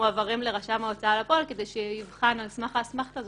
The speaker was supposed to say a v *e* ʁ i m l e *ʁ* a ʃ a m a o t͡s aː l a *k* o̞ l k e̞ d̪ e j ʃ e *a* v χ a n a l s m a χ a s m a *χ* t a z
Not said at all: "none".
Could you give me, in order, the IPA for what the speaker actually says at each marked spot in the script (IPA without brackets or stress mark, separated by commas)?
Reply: a, ʁ, p, i, χ